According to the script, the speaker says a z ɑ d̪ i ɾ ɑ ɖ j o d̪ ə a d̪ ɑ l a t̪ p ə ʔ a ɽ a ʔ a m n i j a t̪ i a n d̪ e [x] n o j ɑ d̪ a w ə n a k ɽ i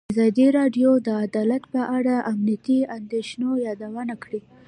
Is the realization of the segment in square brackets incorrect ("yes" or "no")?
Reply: yes